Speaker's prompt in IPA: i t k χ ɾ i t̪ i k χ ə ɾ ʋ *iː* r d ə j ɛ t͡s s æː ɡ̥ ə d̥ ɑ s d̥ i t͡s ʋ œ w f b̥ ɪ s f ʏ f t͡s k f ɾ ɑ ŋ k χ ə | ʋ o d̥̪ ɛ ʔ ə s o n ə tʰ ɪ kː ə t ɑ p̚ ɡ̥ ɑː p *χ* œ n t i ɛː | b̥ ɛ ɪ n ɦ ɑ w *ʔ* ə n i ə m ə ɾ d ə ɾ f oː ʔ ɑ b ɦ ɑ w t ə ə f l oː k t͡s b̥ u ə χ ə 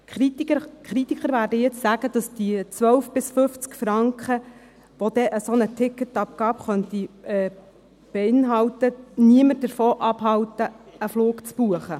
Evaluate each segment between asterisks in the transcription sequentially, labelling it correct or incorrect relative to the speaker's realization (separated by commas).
incorrect, correct, incorrect